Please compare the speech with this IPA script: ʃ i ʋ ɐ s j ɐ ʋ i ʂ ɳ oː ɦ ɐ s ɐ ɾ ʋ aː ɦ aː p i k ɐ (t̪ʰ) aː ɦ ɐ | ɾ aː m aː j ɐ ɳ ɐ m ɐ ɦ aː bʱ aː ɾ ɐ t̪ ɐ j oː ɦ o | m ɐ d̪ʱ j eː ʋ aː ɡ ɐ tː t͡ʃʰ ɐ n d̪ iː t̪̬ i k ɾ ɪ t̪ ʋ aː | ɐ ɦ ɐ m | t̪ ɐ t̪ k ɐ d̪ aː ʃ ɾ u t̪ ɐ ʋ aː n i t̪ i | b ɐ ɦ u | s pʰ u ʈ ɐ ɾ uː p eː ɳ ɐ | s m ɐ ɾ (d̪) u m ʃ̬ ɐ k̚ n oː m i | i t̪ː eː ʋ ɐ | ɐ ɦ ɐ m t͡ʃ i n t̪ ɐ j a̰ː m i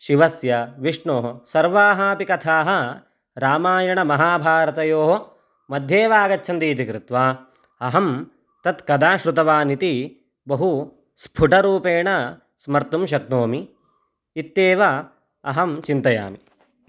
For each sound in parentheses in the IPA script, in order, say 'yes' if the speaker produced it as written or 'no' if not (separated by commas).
yes, no